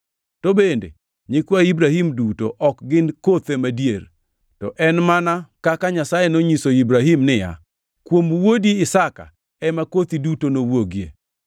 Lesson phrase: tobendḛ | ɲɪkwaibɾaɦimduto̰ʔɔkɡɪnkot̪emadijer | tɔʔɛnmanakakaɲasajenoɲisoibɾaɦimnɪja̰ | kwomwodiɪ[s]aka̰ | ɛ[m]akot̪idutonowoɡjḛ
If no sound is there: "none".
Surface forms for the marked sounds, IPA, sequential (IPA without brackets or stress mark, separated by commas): s, m